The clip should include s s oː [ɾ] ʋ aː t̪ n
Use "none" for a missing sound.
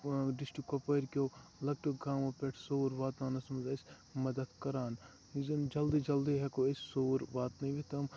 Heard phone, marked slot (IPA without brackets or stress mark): ɾ